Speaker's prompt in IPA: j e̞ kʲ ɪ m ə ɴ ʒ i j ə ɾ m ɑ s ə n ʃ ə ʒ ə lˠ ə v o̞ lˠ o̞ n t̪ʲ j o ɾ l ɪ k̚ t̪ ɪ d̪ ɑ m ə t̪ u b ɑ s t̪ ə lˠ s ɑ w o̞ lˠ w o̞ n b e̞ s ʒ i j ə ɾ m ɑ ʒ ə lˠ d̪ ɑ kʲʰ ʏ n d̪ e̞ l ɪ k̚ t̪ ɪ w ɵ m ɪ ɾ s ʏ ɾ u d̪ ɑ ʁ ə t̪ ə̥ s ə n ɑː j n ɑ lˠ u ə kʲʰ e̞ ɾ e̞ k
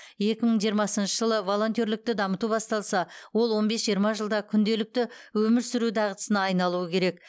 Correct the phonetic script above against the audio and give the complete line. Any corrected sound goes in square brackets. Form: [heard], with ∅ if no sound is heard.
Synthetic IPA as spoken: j e̞ kʲ ɪ m ə ɴ ʒ i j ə ɾ m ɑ s ə n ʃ ə ʒ ə lˠ ə v o̞ lˠ o̞ n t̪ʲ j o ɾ l ɪ k̚ t̪ ɪ d̪ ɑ m ə t̪ u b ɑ s t̪ [ɑ] lˠ s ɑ w o̞ lˠ w o̞ n b e̞ s ʒ i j ə ɾ m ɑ ʒ ə lˠ d̪ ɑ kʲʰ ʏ n d̪ e̞ l ɪ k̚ t̪ ɪ w ɵ m ɪ ɾ s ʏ ɾ u d̪ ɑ ʁ ə t̪ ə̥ s ə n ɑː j n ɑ lˠ u ə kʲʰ e̞ ɾ e̞ k

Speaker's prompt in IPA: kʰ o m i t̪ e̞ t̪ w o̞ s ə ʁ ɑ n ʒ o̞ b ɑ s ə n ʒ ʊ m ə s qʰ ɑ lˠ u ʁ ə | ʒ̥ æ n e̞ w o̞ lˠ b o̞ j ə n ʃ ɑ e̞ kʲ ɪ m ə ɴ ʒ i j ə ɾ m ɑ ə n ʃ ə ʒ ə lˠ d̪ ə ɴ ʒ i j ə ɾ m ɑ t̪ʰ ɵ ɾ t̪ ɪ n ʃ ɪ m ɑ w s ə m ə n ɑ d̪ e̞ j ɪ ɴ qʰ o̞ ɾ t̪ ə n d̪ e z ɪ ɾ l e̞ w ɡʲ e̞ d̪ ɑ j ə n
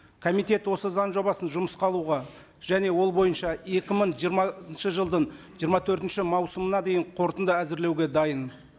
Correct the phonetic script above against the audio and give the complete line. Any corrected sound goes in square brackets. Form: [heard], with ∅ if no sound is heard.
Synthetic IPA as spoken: kʰ o m i t̪ e̞ t̪ w o̞ s ə [z] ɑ n ʒ o̞ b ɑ s ə n ʒ ʊ m ə s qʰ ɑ lˠ u ʁ [ɑ] | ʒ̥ æ n e̞ w o̞ lˠ b o̞ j ə n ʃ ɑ e̞ kʲ ɪ m ə ɴ ʒ i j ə ɾ m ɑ ə n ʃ ə ʒ ə lˠ d̪ ə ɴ ʒ i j ə ɾ m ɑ t̪ʰ ɵ ɾ t̪ ɪ n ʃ ɪ m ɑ w s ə m ə n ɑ d̪ e̞ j ɪ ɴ qʰ o̞ ɾ t̪ ə n d̪ [æ] z ɪ ɾ l e̞ w ɡʲ e̞ d̪ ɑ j ə n

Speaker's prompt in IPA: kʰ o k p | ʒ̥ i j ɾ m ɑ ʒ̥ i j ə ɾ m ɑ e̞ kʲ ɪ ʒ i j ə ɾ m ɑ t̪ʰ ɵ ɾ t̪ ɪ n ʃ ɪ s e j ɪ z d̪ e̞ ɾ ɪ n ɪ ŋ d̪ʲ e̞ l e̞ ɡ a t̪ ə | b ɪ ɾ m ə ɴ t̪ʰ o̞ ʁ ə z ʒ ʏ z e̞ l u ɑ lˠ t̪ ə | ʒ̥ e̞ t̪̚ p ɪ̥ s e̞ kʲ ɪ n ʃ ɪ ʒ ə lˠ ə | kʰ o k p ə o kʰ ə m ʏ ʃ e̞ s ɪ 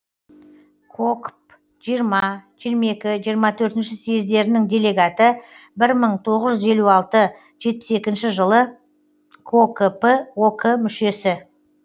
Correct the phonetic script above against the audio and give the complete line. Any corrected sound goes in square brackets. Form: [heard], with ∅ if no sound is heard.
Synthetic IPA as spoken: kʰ o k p | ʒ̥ i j ɾ m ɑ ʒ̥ i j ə ɾ m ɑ e̞ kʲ ɪ ʒ i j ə ɾ m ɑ t̪ʰ ɵ ɾ t̪ ɪ n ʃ ɪ s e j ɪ z d̪ e̞ ɾ ɪ n ɪ ŋ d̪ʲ e̞ l e̞ ɡ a t̪ ə | b ɪ ɾ m ə ɴ t̪ʰ o̞ ʁ ə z ʒ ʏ z e̞ l u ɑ lˠ t̪ ə | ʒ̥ e̞ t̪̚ p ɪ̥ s e̞ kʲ ɪ n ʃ ɪ ʒ ə lˠ ə | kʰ o k p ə o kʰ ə m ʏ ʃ e̞ s ɪ

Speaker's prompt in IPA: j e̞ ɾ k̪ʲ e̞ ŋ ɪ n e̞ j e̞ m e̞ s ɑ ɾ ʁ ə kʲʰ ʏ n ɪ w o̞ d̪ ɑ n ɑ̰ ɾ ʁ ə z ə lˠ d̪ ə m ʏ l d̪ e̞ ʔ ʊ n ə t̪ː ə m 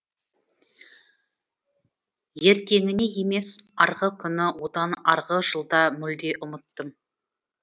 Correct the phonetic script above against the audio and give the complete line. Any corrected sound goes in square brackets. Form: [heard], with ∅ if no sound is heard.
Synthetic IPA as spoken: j e̞ ɾ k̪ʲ e̞ ŋ ɪ n e̞ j e̞ m e̞ s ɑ ɾ ʁ ə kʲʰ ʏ n ɪ w o̞ d̪ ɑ n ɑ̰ ɾ ʁ ə [ʒ] ə lˠ d̪ [ɑ] m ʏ l d̪ e̞ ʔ ʊ [m] ə t̪ː ə m

